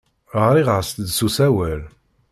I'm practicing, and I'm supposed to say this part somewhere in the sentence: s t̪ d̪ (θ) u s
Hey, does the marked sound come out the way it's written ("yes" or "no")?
no